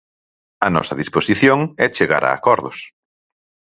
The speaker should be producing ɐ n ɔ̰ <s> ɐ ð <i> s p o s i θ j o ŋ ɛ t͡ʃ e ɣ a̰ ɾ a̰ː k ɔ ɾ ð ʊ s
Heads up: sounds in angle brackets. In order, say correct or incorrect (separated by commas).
correct, correct